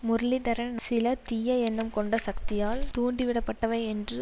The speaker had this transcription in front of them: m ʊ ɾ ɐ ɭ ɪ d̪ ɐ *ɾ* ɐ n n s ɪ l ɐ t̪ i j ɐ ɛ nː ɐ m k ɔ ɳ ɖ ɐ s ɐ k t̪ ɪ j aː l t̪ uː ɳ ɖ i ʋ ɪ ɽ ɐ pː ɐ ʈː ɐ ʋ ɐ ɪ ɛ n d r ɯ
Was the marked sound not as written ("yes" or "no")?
no